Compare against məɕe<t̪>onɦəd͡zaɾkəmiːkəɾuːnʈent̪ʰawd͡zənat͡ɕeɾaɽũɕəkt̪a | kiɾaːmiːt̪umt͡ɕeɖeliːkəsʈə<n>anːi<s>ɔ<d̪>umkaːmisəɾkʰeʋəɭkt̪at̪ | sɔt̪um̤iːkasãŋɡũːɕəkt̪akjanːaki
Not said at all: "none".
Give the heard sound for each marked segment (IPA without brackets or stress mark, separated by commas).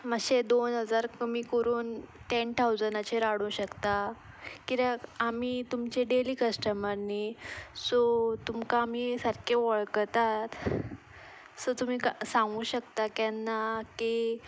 d̪, m, s, t̪